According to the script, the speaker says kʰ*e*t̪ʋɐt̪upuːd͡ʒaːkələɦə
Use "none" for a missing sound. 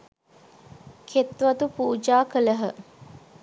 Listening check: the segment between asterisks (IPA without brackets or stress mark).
e